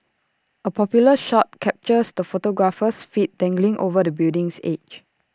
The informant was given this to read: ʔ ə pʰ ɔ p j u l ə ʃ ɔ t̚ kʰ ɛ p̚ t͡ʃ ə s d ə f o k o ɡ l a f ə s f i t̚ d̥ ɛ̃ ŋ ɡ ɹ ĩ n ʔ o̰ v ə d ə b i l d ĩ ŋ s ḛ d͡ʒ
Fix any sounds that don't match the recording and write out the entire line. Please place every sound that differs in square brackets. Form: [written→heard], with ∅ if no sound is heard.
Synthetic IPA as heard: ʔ ə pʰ ɔ p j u l ə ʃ ɔ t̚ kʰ ɛ p̚ t͡ʃ ə s d ə f o [k→t] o ɡ [l→ɹ] a f ə s f i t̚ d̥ ɛ̃ ŋ ɡ [ɹ→l] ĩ [n→ŋ] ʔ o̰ v ə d ə b i l d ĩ ŋ s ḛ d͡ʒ